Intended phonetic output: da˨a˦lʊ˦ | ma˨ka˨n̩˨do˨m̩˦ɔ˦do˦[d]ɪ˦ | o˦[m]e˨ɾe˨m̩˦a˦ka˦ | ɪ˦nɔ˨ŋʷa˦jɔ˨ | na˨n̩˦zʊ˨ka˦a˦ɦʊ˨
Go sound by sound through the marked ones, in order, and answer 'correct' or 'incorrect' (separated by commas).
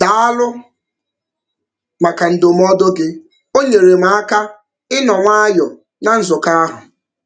incorrect, incorrect